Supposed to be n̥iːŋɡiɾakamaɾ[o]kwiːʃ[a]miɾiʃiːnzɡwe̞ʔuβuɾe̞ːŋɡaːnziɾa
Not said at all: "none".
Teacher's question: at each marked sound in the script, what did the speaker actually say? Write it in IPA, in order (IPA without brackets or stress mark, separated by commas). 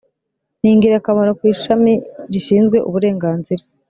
o, a